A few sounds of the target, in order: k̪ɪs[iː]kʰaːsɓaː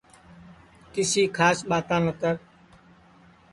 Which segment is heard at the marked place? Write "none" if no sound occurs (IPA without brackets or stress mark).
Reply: iː